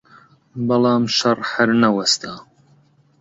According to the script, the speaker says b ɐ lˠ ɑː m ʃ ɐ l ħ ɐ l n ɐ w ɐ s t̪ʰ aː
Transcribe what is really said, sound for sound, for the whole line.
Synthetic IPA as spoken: b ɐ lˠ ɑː m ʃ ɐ r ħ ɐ ɾ n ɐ w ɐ s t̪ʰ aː